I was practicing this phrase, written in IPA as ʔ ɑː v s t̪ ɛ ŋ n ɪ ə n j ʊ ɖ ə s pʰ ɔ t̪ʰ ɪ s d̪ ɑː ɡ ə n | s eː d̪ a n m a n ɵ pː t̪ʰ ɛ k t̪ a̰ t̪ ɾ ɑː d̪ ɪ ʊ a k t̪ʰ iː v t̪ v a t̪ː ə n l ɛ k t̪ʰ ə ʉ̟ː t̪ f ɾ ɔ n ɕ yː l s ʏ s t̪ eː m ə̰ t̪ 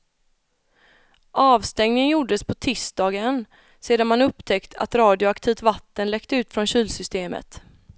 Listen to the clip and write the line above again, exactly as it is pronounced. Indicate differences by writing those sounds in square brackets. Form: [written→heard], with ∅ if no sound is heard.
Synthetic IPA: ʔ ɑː v s t̪ ɛ ŋ n ɪ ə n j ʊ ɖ ə s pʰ ɔ t̪ʰ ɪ s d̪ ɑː ɡ ə n | s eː d̪ a n m a n ɵ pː t̪ʰ ɛ k t̪ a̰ t̪ ɾ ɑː d̪ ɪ ʊ a k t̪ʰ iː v t̪ v a t̪ː ə n l ɛ k [t̪ʰ→t̪] ə ʉ̟ː t̪ f ɾ ɔ n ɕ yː l s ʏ s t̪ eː m ə̰ t̪